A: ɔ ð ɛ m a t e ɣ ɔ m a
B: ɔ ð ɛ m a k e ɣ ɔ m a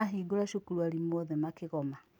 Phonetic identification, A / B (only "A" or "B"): B